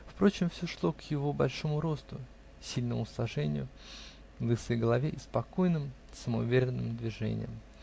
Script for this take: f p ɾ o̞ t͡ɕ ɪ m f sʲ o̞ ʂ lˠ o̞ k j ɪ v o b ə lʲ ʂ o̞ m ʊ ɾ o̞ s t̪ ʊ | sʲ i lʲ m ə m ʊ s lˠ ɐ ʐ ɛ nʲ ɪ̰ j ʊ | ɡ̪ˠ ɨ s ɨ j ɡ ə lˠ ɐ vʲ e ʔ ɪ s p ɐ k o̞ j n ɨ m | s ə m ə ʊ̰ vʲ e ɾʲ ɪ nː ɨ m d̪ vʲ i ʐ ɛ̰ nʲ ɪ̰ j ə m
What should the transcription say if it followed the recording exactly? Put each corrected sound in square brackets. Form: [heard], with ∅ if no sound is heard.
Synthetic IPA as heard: f p ɾ o̞ t͡ɕ ɪ m f sʲ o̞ ʂ lˠ o̞ k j ɪ v o b [ɐ] lʲ ʂ o̞ m ʊ ɾ o̞ s t̪ ʊ | sʲ i lʲ [n] ə m ʊ s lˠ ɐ ʐ ɛ nʲ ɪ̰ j ʊ | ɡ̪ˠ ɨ s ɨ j ɡ ə lˠ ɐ vʲ e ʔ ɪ s p ɐ k o̞ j n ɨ m | s ə m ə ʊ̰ vʲ e ɾʲ ɪ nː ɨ m d̪ vʲ [ɪ] ʐ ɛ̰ nʲ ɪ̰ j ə m